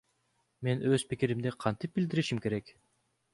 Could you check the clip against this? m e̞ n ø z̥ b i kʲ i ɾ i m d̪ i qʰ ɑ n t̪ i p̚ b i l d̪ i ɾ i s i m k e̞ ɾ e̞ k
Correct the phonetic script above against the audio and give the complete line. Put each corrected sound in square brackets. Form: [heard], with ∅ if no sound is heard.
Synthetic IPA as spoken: m e̞ n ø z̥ [p] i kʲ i ɾ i m d̪ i qʰ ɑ n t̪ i p̚ b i l d̪ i ɾ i [ʃ] i m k e̞ ɾ e̞ k